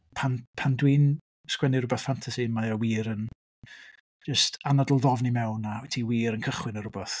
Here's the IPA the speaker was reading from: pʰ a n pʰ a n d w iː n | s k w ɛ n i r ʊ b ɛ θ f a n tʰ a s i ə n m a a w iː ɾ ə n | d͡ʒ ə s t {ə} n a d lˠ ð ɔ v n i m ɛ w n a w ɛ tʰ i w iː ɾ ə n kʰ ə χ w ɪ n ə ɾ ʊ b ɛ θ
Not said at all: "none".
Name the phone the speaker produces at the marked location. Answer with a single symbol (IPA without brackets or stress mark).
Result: a